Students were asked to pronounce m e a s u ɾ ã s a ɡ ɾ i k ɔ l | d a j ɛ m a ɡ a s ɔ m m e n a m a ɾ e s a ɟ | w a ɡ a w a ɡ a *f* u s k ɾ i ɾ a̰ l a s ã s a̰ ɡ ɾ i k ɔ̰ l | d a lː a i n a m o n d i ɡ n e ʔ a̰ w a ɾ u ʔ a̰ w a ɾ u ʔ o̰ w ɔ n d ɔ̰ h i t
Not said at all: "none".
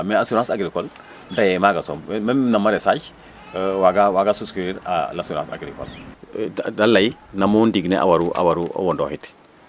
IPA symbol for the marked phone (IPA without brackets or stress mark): s